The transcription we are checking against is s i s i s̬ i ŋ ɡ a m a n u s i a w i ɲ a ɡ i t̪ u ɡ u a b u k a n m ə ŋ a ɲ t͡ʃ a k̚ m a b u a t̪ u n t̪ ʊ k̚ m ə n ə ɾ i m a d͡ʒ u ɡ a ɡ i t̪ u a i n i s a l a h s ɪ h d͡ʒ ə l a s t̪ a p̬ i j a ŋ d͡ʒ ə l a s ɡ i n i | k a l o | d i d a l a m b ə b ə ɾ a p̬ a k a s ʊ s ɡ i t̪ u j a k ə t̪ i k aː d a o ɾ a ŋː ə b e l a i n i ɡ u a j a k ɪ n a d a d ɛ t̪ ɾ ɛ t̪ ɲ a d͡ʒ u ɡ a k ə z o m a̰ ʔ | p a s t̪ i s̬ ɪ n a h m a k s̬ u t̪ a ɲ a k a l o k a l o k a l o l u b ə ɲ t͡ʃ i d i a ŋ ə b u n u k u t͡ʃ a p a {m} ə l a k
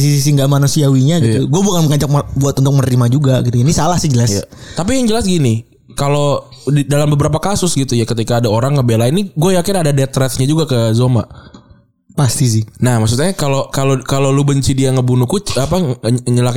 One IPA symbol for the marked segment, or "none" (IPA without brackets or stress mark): ɲ